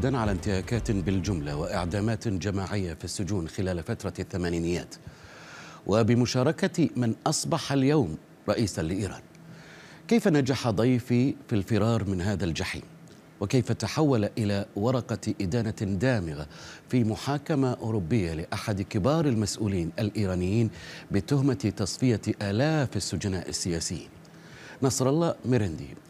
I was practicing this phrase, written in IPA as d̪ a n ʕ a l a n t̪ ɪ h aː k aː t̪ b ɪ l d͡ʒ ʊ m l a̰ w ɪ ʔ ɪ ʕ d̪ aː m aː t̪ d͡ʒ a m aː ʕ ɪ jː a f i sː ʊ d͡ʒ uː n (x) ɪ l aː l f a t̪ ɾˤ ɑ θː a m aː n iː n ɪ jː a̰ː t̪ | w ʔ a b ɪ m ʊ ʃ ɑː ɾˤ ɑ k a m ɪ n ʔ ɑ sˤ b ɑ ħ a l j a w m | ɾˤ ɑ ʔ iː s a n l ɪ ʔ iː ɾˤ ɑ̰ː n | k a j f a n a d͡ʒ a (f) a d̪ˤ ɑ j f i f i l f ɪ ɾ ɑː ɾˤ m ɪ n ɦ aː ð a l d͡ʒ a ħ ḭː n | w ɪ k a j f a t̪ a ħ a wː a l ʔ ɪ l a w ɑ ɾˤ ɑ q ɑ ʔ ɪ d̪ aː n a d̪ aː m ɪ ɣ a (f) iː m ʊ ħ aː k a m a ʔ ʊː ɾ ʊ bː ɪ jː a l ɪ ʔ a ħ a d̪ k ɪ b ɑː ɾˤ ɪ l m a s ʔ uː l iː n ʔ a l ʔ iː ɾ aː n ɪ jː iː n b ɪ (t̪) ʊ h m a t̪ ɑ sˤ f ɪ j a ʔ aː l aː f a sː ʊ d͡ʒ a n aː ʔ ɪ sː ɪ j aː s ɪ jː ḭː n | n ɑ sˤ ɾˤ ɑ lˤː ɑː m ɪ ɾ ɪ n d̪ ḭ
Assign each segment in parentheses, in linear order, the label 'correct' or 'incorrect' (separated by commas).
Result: correct, incorrect, correct, correct